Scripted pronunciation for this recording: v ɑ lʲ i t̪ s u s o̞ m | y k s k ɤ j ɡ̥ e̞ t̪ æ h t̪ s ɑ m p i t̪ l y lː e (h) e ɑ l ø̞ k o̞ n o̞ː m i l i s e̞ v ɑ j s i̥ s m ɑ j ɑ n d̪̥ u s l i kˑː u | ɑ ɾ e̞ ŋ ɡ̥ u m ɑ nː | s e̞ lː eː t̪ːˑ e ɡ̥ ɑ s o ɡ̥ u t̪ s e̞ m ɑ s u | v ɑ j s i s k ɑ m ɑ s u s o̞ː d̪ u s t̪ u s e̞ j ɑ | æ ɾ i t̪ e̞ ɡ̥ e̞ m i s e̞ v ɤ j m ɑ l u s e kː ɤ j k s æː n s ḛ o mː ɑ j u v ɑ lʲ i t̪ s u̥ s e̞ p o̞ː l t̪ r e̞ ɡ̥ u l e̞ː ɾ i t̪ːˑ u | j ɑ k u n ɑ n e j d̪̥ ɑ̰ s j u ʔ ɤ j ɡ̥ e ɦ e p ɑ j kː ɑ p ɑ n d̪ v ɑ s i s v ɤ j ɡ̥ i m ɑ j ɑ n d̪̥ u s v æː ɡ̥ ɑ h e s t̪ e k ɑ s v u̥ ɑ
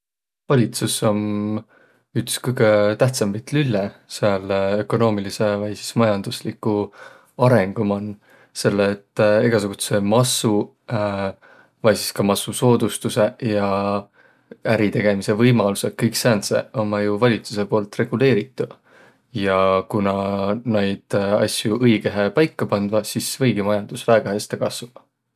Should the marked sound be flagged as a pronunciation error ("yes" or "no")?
yes